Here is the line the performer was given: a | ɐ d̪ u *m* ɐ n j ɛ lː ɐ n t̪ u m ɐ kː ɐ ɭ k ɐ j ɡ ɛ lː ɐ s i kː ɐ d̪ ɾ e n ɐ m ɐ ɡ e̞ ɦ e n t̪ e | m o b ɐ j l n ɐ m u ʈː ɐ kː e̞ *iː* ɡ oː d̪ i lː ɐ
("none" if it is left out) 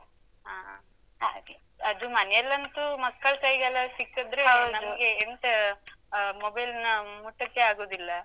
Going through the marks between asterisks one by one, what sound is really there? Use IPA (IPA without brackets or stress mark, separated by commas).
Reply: m, aː